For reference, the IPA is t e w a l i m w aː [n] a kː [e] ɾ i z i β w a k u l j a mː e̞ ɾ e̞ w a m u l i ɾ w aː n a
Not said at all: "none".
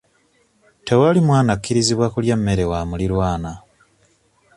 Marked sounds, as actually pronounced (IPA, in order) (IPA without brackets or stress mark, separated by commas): n, i